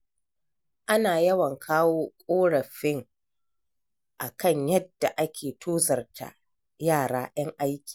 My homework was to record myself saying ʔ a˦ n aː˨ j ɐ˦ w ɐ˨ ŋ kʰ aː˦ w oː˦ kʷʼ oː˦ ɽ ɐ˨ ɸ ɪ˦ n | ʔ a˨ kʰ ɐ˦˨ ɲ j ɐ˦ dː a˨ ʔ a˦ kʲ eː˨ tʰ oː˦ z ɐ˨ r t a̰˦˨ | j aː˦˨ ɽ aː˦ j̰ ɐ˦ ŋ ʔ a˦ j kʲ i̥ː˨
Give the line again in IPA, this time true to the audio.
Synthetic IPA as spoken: ʔ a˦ n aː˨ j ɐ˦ w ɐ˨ ŋ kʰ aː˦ w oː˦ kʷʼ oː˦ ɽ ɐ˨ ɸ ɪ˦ ŋ | ʔ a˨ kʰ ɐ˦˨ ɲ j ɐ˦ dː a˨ ʔ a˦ kʲ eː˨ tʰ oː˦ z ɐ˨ r t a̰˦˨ | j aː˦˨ ɽ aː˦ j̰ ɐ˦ ŋ ʔ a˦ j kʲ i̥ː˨